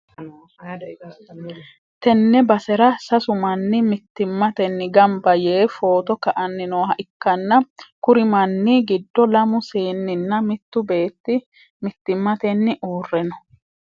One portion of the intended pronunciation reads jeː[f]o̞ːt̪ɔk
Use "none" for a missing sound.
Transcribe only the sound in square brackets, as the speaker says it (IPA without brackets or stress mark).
f